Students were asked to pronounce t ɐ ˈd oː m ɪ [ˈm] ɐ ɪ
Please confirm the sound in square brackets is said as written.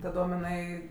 no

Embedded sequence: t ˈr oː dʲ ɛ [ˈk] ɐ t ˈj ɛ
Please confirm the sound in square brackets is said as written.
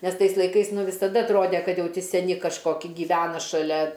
yes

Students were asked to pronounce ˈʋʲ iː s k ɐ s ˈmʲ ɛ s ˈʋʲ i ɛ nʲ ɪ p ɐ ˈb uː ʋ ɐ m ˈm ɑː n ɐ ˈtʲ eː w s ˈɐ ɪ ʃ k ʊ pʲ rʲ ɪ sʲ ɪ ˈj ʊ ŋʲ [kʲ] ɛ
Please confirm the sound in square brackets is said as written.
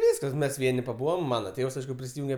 no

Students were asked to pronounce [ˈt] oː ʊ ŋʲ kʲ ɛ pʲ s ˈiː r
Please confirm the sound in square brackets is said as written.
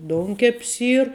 no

